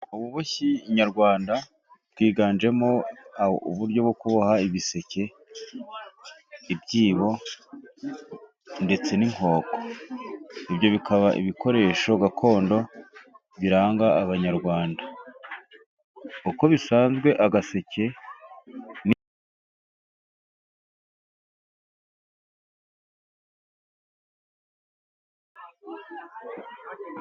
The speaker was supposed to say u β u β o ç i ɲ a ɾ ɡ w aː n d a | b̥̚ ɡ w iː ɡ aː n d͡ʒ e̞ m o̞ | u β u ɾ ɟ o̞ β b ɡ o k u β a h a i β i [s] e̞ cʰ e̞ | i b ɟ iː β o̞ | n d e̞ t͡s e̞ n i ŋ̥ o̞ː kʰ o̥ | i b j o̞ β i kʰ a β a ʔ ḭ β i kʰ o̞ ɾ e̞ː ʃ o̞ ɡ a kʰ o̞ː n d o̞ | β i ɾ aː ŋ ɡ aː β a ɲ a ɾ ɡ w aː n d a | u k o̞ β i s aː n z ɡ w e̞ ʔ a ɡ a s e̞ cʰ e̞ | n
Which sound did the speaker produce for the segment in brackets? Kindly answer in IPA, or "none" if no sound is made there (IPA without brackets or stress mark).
s